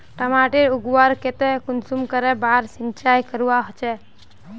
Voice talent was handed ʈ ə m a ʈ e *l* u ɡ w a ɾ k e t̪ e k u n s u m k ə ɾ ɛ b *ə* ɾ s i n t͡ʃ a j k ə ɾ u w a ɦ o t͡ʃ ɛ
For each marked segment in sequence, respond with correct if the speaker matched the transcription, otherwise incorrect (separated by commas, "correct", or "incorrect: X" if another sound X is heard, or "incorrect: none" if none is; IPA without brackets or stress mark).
incorrect: ɾ, incorrect: a